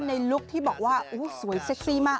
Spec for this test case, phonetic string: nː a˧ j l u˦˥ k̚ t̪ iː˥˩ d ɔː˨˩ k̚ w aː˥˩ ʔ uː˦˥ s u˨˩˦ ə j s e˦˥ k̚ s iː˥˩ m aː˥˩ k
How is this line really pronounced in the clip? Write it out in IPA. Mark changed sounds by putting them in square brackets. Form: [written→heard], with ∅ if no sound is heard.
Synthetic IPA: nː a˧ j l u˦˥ k̚ [t̪→t̪ʰ] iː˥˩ [d→b] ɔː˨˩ k̚ w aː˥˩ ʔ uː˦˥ s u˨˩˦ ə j s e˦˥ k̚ s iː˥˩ m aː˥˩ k